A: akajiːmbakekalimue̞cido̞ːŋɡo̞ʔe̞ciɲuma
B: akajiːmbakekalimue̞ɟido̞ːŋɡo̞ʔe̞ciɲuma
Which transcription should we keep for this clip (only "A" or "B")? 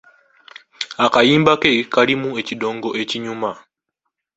A